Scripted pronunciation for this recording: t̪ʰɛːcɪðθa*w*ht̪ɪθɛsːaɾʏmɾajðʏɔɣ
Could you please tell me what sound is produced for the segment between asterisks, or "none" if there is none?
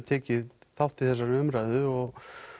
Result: w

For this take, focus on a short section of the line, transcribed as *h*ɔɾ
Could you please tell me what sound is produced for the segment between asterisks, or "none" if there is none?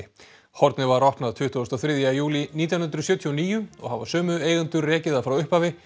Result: h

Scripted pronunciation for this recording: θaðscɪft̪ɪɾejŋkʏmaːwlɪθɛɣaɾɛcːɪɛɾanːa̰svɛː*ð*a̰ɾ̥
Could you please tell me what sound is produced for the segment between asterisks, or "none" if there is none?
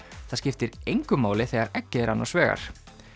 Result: ɣ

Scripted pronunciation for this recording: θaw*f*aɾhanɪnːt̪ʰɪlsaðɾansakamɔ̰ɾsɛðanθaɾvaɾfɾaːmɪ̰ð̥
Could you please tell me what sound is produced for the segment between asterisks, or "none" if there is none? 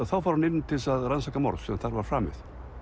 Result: f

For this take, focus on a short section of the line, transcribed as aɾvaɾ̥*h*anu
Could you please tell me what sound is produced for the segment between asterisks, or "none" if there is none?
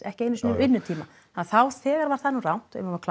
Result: θ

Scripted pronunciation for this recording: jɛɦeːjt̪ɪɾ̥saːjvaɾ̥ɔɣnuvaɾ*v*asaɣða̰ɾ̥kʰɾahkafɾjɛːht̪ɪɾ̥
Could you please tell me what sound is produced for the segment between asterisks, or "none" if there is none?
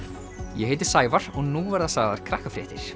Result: ð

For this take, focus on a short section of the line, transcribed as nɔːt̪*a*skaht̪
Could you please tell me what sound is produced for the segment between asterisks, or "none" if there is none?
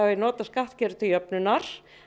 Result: a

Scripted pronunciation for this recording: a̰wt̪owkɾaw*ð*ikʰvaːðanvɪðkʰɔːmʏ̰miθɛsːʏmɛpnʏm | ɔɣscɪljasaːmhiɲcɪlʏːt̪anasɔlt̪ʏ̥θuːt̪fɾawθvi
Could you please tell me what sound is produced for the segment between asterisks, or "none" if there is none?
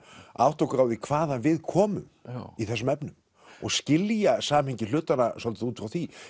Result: ð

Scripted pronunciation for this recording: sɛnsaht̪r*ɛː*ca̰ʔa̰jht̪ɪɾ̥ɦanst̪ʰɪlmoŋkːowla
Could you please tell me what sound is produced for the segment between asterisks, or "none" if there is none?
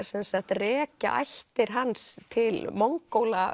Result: ɛː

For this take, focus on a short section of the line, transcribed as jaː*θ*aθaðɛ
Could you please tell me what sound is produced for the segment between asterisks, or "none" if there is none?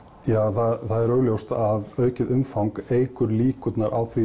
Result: θ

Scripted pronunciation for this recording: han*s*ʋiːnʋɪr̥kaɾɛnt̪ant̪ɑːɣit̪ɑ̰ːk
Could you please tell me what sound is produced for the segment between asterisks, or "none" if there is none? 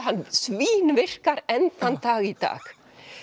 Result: s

